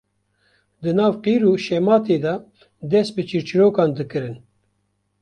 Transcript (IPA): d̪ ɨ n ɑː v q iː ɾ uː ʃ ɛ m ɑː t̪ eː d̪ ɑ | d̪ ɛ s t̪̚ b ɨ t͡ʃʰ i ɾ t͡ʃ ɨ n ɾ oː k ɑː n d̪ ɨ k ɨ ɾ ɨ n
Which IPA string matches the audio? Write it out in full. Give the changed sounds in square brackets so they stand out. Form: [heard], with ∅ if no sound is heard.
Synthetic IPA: d̪ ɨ n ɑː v q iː ɾ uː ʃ ɛ m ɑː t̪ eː d̪ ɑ | d̪ ɛ s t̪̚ b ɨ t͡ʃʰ i ɾ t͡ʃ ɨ [∅] ɾ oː k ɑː n d̪ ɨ k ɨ ɾ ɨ n